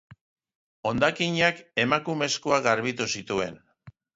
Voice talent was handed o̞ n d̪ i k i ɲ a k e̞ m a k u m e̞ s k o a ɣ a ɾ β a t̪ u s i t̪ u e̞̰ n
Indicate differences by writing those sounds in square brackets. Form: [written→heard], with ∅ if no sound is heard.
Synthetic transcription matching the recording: o̞ n d̪ [i→a] k i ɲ a k e̞ m a k u m e̞ s k o a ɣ a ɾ β [a→i] t̪ u s i t̪ u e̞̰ n